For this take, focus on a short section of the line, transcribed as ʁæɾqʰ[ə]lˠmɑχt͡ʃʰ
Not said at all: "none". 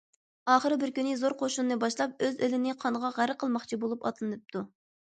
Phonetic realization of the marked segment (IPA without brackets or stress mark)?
ə